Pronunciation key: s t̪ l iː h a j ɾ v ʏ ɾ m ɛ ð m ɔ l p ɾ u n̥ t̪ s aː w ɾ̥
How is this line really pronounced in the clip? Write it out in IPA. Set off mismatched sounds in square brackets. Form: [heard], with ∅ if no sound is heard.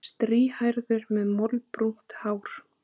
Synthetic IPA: s t̪ [ɾ] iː h a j ɾ [ð] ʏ ɾ m ɛ ð m ɔ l p ɾ u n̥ t̪ [h] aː w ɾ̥